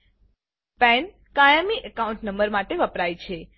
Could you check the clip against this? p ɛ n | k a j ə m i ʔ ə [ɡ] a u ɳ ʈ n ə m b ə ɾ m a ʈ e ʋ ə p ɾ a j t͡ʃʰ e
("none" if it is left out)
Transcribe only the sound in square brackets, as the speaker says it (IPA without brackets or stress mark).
k